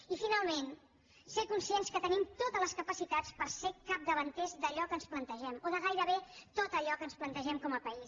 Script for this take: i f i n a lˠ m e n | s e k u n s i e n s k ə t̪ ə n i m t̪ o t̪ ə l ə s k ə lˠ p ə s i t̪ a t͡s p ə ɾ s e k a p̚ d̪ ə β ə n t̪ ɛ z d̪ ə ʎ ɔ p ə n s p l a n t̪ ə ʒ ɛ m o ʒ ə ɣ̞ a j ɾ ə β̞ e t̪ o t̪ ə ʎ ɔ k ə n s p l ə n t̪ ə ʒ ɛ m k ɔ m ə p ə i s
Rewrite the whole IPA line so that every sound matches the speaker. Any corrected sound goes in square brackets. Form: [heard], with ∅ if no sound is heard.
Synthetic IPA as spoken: i f i n a lˠ m e n | s e k u n s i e n s k ə t̪ ə n i m t̪ o t̪ ə l ə s k ə [∅] p ə s i t̪ a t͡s p ə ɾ s e k a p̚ d̪ ə β ə n t̪ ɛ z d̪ ə ʎ ɔ [k] ə n s p l [ə] n t̪ ə ʒ ɛ m o [ð] ə ɣ̞ a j ɾ ə β̞ e t̪ o t̪ ə ʎ ɔ k ə n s p l ə n t̪ ə ʒ ɛ m k ɔ m ə p ə i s